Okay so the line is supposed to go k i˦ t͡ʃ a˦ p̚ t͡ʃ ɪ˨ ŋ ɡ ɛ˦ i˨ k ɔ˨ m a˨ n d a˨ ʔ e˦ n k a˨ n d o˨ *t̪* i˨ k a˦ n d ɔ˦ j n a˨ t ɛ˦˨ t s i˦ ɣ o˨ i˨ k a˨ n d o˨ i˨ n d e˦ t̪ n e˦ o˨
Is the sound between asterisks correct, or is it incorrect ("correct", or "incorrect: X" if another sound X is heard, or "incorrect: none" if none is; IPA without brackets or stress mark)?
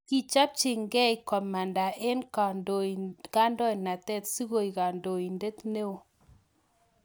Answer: incorrect: none